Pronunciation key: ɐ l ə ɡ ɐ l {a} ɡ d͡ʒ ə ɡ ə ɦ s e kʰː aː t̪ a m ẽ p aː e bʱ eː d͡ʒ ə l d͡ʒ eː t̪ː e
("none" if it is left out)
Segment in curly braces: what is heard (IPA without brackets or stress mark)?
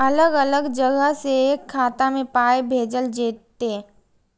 ə